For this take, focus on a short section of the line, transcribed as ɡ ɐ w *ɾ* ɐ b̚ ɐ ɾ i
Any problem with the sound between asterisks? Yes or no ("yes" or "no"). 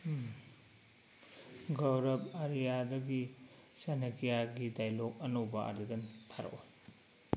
no